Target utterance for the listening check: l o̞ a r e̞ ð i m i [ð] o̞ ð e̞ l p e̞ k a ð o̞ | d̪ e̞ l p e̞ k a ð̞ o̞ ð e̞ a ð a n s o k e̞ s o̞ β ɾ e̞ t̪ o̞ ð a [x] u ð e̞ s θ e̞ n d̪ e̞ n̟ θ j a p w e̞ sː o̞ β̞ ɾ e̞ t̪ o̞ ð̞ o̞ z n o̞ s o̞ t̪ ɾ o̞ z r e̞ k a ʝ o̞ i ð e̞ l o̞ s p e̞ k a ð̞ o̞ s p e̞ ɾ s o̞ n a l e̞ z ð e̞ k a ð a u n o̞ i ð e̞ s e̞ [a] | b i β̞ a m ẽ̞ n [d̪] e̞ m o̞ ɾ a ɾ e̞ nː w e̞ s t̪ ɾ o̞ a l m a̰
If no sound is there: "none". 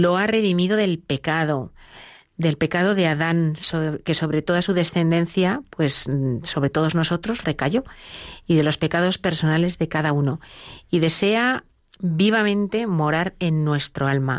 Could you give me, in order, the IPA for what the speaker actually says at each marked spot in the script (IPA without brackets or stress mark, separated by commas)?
ð, s, a, t̪